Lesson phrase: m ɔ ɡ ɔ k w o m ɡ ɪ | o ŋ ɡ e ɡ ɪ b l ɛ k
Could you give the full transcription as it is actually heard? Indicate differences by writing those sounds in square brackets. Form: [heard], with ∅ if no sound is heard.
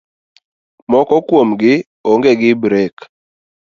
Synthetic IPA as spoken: m ɔ [k] ɔ k w o m ɡ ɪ | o ŋ ɡ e ɡ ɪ b [ɾ] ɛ k